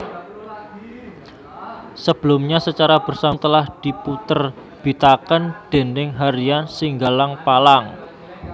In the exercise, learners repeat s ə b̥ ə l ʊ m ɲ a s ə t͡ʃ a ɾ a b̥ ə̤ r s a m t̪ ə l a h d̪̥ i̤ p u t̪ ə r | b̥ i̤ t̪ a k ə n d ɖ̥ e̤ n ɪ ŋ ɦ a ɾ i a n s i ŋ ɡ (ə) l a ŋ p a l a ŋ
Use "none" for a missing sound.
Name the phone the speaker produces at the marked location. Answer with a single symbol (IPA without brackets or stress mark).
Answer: a